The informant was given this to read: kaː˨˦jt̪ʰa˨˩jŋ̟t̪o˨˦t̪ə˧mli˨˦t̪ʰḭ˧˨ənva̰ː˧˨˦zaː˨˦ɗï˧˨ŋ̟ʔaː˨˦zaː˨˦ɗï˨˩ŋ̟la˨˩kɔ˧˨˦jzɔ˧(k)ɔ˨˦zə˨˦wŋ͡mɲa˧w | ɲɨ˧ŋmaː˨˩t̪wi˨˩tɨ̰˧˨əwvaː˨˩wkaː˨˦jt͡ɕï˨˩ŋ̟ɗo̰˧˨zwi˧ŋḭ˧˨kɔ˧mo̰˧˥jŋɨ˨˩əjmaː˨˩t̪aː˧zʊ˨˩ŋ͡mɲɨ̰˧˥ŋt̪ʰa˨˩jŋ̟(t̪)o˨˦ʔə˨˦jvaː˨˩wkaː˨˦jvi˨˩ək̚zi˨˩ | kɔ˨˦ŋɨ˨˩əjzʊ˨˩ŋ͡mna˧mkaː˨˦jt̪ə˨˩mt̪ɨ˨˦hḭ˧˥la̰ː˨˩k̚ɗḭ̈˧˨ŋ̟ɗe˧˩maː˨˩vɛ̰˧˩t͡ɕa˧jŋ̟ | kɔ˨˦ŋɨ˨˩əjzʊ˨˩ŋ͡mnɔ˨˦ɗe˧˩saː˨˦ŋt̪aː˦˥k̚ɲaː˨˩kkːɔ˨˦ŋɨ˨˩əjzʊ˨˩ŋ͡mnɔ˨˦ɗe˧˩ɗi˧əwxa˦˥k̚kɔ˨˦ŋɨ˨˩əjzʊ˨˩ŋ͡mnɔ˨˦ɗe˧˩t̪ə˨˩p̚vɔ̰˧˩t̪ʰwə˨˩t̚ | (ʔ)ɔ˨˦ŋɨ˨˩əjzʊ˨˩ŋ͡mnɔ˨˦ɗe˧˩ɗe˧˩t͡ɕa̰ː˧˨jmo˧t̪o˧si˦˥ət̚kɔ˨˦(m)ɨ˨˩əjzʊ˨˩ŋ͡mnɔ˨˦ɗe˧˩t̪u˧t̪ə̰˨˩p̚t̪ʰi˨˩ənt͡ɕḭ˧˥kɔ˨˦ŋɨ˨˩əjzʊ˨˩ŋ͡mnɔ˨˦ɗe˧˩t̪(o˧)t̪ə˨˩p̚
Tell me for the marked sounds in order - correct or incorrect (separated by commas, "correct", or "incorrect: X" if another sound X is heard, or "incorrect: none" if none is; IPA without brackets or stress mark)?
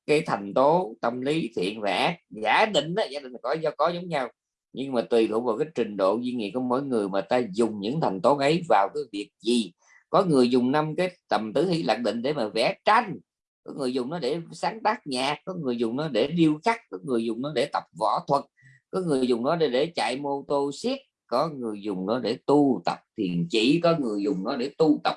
correct, correct, incorrect: k, incorrect: ŋ, incorrect: u˧